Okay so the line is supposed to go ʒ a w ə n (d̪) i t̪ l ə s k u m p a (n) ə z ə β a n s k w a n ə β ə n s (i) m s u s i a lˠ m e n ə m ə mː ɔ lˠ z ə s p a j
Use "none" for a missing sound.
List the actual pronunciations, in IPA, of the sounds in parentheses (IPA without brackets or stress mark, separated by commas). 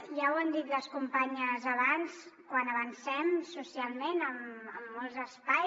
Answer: d̪, ɲ, ɛ